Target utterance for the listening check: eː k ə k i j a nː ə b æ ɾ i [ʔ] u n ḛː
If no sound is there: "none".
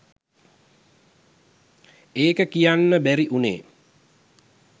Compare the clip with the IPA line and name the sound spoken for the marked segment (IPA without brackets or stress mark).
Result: ʔ